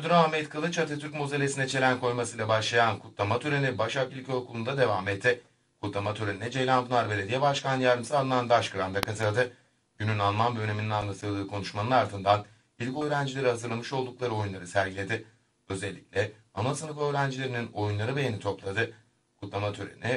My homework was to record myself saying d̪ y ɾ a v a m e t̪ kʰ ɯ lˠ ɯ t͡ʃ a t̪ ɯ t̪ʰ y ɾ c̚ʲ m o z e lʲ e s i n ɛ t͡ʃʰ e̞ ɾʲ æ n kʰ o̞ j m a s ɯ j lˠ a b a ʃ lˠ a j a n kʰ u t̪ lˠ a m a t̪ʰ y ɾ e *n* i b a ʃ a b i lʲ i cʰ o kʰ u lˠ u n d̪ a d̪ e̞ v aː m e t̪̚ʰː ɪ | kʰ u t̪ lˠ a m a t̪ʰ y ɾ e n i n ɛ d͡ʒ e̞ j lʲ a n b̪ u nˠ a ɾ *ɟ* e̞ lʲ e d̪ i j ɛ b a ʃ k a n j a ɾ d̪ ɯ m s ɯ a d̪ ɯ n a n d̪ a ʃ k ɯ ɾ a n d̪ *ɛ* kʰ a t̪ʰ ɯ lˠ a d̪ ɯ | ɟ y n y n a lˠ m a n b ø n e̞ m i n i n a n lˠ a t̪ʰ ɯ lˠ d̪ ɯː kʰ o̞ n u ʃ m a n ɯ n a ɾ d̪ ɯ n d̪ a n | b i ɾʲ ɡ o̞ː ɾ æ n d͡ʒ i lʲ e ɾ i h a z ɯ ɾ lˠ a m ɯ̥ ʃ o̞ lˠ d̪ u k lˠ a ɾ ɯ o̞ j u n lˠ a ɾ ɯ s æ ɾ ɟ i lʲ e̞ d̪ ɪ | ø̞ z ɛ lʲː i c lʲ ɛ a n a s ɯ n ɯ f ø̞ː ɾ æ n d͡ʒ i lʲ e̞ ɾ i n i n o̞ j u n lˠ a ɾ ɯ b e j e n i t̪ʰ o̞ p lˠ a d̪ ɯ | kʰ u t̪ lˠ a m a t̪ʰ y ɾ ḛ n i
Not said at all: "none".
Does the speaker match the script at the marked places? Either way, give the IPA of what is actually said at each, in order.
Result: n, b, a

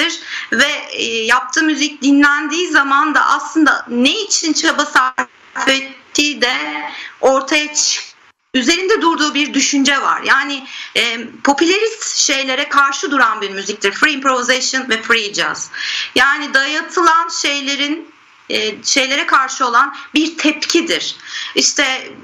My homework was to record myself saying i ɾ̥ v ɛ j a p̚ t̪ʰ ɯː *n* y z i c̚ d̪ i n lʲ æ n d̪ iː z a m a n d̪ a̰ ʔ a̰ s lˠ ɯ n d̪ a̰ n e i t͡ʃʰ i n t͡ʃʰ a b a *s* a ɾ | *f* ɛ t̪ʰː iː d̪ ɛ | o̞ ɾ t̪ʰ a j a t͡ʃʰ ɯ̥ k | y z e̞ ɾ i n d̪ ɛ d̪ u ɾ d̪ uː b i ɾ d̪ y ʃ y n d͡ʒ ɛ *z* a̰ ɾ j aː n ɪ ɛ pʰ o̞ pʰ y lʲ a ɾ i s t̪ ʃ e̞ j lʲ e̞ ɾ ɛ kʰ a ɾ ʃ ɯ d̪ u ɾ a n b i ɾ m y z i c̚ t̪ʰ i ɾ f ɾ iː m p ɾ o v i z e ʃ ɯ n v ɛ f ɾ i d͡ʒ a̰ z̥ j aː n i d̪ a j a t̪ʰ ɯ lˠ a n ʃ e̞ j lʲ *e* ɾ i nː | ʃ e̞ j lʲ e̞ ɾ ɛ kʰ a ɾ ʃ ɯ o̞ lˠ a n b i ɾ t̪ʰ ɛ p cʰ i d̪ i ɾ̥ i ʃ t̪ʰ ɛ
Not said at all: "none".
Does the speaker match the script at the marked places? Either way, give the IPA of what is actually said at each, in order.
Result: m, s, f, v, e

